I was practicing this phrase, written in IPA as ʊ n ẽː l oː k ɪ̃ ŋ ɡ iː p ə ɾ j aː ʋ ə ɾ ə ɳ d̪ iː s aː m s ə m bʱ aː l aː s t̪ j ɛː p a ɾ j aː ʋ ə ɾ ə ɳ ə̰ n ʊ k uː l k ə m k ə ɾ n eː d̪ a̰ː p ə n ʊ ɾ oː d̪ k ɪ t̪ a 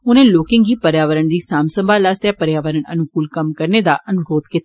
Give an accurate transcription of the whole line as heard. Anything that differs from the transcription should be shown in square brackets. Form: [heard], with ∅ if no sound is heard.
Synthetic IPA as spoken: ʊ n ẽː l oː k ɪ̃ ŋ ɡ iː p ə ɾ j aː ʋ ə ɾ ə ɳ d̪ iː s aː m s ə m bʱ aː l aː s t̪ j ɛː p [ə] ɾ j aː ʋ ə ɾ ə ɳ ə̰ n ʊ k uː l k ə m k ə ɾ n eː d̪ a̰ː [ʔ] ə n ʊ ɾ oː d̪ k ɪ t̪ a